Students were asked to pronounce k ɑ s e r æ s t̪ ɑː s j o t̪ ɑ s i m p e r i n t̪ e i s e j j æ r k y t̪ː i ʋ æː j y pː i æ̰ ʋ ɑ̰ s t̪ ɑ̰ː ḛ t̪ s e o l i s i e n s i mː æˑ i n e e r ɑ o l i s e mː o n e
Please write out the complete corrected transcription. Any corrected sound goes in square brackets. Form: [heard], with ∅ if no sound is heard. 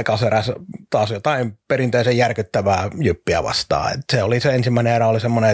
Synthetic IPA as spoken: k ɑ s e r æ s t̪ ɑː s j o t̪ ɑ [∅] i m p e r i n t̪ e i s e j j æ r k y t̪ː [æ] ʋ æː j y pː i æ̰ ʋ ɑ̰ s t̪ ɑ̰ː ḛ t̪ s e o l i s [e] e n s i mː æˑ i n e e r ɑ o l i s e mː o n e